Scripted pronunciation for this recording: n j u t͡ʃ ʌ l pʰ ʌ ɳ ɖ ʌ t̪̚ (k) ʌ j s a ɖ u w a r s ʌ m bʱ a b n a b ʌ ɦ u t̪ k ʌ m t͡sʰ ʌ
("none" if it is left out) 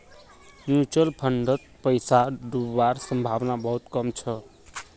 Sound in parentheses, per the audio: p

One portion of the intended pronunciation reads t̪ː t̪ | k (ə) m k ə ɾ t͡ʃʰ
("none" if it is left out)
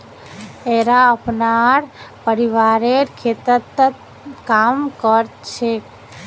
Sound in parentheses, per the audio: a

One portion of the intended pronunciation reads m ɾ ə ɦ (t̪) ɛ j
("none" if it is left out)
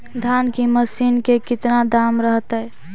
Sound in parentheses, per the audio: t̪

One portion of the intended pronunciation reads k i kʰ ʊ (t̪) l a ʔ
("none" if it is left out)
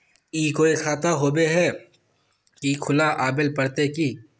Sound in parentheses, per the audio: none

